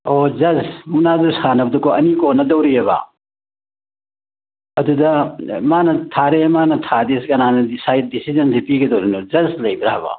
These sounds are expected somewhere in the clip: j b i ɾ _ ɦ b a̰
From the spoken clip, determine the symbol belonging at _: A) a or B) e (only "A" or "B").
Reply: A